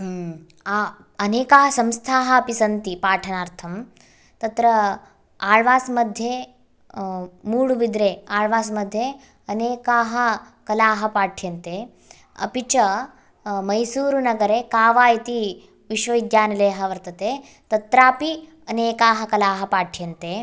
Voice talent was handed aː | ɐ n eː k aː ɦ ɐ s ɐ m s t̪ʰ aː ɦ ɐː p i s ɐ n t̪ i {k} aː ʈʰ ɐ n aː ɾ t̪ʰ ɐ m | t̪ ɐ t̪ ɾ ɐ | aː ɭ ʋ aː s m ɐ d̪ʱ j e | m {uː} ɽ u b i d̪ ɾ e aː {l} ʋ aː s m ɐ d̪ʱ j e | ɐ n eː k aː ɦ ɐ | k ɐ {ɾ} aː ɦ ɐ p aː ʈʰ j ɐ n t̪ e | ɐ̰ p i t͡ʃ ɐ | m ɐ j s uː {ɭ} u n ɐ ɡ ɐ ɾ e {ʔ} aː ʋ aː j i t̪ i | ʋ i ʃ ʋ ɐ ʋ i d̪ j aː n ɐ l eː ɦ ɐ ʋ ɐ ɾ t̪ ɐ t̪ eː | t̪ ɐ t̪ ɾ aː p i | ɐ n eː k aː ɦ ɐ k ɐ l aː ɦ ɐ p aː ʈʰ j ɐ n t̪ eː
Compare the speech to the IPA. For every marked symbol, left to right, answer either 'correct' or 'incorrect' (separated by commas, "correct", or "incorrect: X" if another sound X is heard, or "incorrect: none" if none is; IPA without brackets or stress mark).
incorrect: p, correct, incorrect: ɭ, incorrect: l, incorrect: ɾ, incorrect: k